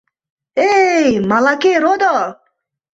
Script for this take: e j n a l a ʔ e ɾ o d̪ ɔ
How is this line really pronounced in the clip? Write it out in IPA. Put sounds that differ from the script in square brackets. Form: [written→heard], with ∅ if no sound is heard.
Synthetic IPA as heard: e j [n→m] a l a [ʔ→k] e ɾ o d̪ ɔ